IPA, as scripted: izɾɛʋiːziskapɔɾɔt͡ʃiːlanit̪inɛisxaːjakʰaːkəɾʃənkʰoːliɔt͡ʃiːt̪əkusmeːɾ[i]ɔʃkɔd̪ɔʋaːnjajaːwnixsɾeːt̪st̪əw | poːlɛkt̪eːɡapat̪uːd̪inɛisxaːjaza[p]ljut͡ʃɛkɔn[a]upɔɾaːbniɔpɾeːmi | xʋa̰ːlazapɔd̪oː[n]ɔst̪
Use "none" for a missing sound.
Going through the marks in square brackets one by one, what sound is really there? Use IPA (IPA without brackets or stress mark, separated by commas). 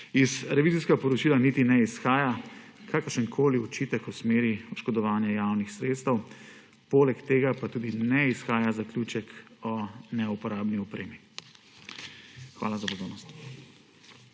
i, k, ɛ, n